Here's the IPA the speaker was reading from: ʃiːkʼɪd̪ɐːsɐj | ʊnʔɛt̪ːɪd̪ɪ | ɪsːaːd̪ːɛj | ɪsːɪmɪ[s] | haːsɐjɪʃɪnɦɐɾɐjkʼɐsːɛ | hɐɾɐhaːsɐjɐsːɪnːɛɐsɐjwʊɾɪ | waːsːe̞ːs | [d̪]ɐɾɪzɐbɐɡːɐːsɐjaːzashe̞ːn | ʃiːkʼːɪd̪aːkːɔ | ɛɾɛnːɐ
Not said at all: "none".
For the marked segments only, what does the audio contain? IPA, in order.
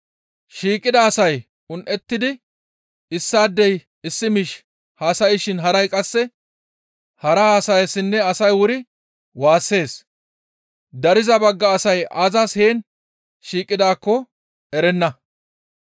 ʃ, d̪

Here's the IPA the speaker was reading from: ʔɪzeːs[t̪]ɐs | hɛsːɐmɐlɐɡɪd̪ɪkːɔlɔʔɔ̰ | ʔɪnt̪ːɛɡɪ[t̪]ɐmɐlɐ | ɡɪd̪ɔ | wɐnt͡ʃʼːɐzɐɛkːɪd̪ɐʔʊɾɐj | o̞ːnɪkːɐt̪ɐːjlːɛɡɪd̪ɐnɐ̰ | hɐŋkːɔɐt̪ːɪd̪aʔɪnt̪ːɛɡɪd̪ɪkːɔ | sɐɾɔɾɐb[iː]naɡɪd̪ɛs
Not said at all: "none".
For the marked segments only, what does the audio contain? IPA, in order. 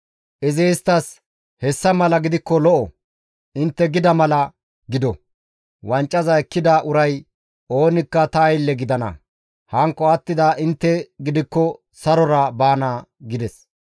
t̪, d̪, aː

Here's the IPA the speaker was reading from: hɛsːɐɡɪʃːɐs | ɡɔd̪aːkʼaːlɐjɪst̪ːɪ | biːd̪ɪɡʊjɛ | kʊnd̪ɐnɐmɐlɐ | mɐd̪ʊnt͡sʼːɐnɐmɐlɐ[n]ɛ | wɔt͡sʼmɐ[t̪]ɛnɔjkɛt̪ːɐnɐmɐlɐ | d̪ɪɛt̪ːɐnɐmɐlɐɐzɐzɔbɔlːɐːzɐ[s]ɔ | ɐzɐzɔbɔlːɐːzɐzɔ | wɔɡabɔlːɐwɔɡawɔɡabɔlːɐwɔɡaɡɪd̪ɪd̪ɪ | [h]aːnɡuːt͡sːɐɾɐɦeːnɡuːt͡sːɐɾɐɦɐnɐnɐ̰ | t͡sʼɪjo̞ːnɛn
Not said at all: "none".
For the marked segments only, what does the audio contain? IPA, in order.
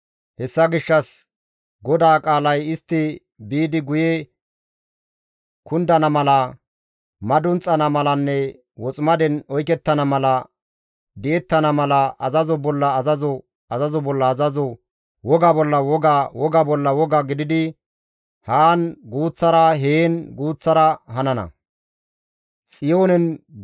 nː, d̪, z, h

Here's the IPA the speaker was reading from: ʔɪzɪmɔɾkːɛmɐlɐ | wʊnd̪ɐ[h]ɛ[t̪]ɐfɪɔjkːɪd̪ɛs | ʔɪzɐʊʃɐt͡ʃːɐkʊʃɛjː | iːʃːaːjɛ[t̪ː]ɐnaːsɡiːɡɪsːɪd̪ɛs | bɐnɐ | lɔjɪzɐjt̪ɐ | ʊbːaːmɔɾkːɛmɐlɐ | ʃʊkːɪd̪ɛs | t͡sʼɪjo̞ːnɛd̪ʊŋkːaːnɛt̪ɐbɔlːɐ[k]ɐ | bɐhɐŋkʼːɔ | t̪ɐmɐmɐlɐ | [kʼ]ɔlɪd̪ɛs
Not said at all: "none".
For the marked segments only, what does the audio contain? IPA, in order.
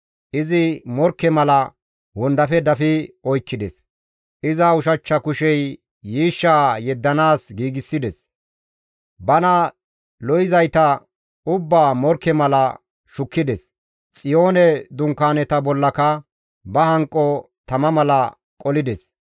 f, d̪, d̪ː, k, kʼ

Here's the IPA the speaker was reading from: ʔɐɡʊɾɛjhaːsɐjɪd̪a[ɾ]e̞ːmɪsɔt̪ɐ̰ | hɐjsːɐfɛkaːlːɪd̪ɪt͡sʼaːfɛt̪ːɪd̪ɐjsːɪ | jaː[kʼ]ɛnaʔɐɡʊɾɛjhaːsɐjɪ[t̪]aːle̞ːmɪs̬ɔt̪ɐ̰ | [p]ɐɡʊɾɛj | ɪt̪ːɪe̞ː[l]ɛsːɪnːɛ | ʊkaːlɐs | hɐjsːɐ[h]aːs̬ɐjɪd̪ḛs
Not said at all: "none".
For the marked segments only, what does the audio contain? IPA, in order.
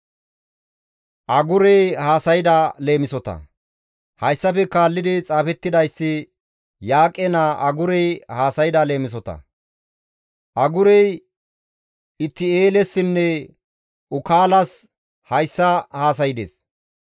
l, kʼ, d̪, ʔ, l, h

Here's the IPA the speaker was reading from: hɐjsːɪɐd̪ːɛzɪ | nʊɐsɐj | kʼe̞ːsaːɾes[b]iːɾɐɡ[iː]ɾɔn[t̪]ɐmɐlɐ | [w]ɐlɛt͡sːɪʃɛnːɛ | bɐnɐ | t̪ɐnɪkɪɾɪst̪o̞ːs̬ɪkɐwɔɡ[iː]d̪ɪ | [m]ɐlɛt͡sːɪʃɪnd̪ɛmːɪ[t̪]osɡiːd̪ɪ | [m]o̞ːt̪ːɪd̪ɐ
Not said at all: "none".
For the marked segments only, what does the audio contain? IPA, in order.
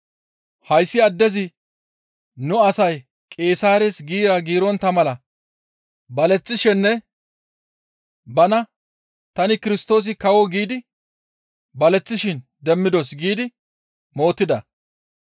ɡ, iː, t̪, b, iː, b, d̪, m

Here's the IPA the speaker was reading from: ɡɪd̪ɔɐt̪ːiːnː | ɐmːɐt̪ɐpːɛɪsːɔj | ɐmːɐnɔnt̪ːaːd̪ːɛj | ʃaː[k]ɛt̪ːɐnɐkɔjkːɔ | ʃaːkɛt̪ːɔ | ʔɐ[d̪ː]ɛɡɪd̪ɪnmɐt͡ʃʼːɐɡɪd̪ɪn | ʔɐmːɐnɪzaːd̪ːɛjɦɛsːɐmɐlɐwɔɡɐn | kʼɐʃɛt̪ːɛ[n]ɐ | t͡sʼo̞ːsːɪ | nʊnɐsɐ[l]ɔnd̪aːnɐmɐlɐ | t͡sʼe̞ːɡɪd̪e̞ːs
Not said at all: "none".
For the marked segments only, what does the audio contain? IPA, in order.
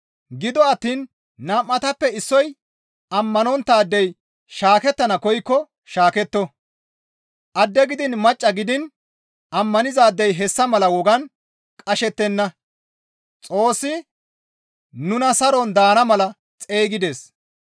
k, d̪ː, nː, ɾ

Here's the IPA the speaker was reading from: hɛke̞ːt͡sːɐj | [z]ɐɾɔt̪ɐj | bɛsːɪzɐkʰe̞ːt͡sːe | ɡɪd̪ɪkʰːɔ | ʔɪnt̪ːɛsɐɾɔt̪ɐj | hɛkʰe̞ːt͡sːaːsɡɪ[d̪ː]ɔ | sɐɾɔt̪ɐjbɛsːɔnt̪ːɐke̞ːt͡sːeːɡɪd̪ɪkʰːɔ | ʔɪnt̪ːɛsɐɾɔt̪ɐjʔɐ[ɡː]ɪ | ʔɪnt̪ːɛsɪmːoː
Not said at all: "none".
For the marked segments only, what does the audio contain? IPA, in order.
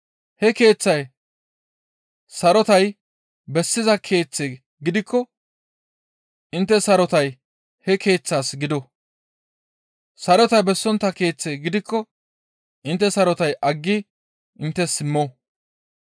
s, d̪, ɡː

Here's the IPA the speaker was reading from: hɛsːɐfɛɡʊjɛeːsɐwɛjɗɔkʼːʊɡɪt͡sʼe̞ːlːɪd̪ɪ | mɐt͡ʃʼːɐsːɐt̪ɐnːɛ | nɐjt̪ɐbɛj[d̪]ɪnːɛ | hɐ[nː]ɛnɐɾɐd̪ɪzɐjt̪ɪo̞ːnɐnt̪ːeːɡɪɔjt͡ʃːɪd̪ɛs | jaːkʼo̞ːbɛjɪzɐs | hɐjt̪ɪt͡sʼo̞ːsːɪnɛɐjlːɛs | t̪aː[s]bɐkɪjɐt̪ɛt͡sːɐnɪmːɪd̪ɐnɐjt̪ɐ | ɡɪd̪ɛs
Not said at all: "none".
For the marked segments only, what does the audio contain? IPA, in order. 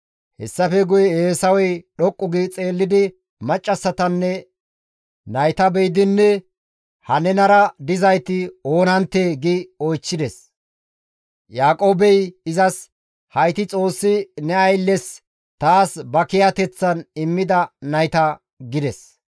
d̪, n, s

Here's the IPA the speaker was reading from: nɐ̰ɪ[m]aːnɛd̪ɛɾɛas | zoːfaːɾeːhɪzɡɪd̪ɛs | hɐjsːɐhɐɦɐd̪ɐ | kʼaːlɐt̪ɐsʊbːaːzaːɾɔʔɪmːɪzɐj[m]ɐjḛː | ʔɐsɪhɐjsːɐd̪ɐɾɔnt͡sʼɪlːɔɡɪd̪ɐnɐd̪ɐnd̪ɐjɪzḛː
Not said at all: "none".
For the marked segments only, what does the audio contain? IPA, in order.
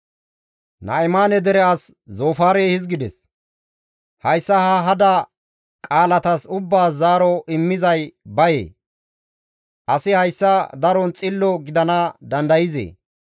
m, b

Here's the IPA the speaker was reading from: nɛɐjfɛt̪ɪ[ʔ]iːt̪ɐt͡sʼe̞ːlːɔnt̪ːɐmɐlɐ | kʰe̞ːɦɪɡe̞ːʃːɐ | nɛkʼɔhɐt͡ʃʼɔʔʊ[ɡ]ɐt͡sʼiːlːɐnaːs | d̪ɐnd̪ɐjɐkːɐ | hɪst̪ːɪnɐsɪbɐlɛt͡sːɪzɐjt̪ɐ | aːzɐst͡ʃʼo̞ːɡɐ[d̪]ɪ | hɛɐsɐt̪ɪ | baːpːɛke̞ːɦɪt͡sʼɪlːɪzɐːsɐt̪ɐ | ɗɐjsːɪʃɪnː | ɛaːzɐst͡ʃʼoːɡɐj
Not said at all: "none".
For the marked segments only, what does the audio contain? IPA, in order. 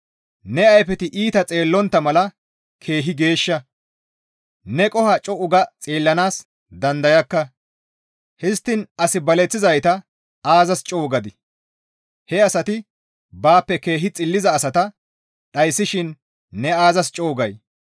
ʔ, ɡ, d̪

